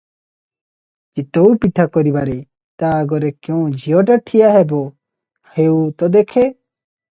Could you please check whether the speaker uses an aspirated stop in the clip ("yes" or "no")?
yes